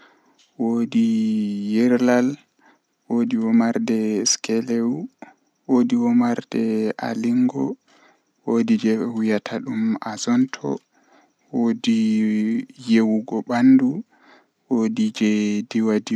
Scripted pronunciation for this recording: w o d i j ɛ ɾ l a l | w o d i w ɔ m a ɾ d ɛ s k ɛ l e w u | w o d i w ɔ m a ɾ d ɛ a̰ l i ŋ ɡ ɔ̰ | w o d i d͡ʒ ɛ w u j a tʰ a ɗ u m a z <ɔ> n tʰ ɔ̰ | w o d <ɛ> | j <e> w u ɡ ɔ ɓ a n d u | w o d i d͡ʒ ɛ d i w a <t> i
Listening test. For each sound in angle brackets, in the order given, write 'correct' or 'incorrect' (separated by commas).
correct, incorrect, correct, incorrect